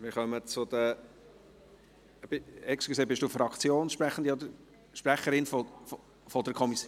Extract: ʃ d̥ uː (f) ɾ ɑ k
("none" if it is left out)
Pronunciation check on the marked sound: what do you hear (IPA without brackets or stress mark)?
f